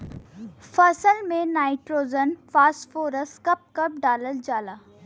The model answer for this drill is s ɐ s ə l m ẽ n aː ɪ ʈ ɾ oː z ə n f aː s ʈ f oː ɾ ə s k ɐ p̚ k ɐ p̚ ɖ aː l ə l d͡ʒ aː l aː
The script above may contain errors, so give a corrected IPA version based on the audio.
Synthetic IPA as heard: f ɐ s ə l m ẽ n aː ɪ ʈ ɾ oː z ə n f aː s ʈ f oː ɾ ə s k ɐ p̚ k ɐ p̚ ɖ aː l ə l d͡ʒ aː l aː